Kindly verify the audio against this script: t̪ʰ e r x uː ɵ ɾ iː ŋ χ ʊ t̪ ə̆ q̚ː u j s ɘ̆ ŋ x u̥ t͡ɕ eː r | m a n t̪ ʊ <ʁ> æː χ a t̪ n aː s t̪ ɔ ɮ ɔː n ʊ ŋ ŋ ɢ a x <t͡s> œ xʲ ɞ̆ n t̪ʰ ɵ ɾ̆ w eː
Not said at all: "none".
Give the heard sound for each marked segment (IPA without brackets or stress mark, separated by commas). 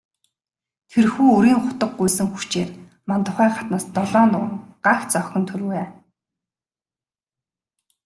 χ, t͡s